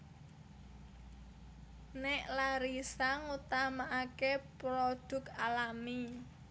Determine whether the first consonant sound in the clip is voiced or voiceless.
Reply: voiced